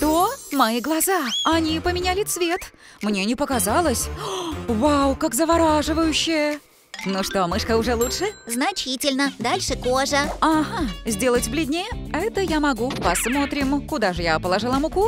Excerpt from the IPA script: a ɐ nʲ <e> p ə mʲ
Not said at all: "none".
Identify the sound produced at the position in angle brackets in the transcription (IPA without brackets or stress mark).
i